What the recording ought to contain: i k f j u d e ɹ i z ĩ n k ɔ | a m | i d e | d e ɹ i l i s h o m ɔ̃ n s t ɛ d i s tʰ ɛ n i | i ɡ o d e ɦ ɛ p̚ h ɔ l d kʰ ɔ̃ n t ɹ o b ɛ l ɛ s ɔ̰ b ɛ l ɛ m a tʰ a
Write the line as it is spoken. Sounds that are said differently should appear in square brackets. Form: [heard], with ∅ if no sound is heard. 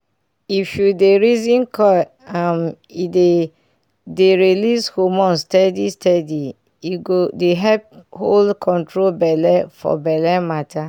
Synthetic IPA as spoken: i [∅] f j u d e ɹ i z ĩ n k ɔ | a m | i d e | d e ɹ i l i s h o m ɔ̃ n s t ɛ d i s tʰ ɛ [d] i | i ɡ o d e ɦ ɛ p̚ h [o] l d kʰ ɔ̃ n t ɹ o b ɛ l ɛ [f] ɔ̰ b ɛ l ɛ m a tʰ a

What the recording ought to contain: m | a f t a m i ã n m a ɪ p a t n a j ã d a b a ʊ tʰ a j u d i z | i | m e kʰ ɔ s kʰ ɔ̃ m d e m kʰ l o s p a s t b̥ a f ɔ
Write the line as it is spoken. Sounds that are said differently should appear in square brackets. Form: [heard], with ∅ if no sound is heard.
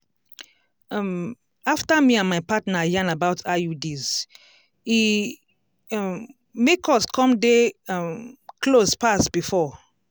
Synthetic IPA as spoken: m | a f t a m i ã n m a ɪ p a t n a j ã [n] a b a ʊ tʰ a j u d i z | i | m e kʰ ɔ s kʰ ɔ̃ m d e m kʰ l o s p a s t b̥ [i] f ɔ

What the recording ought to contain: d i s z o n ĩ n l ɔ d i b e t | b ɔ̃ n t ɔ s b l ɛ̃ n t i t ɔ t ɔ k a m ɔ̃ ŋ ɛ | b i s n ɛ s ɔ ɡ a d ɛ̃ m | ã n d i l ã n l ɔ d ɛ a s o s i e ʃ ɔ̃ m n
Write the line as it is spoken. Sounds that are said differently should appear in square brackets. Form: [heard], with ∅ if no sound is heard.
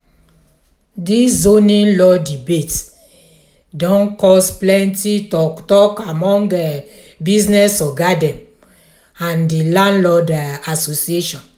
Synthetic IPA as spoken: d i s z o n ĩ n l ɔ d i b e t | [d] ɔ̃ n [k] ɔ s [p] l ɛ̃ n t i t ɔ t ɔ k a m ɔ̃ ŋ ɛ | b i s n ɛ s ɔ ɡ a d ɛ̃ m | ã n d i l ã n l ɔ d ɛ a s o s i e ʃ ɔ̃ [∅] n

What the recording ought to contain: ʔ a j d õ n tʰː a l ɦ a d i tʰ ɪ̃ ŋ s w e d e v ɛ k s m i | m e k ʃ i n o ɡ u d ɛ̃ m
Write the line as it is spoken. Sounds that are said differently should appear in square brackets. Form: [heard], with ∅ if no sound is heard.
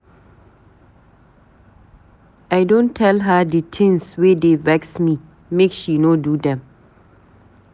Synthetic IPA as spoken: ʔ a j d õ n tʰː [ɛ] l ɦ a d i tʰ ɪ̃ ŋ s w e d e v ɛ k s m i | m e k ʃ i n o [d] u d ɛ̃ m

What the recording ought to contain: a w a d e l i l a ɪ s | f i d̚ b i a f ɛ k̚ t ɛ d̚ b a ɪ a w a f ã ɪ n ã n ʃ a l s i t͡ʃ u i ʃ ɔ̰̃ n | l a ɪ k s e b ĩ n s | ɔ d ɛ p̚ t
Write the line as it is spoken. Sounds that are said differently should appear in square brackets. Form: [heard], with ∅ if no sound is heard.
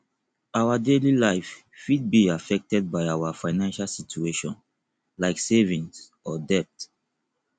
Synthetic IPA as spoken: a w a d e l i l a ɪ [f] | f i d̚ b i a f ɛ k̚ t ɛ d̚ b a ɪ a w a f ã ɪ n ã n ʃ a l s i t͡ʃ u [e] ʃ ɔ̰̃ n | l a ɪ k s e [v] ĩ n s | ɔ d ɛ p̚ t

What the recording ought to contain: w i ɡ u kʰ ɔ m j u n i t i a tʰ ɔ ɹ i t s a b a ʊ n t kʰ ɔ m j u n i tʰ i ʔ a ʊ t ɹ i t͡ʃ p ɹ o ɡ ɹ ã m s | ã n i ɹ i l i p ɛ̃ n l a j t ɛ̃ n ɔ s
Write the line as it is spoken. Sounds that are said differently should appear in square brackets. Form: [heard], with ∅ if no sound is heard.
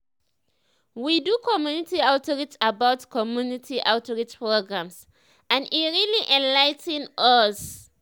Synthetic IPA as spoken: w i [d] u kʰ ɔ m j u n i t i a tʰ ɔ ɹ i t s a b a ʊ [∅] t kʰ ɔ m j u n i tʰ i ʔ a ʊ t ɹ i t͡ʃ p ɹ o ɡ ɹ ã m s | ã n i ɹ i l i [ʔ] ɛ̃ n l a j t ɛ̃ n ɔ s

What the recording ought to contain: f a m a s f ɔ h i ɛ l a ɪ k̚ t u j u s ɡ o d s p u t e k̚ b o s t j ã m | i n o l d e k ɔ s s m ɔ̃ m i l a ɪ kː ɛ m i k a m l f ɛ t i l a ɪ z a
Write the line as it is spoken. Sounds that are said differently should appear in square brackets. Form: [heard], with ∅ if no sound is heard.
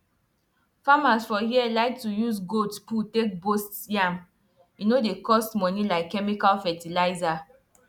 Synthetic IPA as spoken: f a m a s f ɔ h i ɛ l a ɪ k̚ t u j u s ɡ o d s p u t e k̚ b o s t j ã m | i n o [∅] d e k ɔ s [t] m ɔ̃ [n] i l a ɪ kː ɛ m i k a [∅] l f ɛ t i l a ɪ z a

